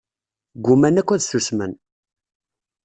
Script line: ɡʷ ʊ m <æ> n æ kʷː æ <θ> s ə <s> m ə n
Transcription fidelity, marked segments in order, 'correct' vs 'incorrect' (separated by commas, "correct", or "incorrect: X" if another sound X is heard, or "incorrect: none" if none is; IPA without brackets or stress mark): correct, incorrect: ð, correct